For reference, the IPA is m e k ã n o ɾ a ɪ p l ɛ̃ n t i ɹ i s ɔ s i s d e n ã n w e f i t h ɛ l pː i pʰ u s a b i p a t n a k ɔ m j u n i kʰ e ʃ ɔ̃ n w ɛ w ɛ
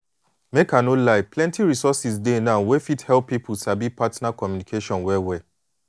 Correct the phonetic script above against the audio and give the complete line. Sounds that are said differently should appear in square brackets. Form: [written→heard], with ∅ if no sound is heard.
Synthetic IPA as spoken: m e k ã n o [ɾ→l] a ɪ p l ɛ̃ n t i ɹ i s ɔ s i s d e n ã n w e f i t h ɛ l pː i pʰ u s a b i p a t n a k ɔ m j u n i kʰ e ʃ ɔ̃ n w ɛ w ɛ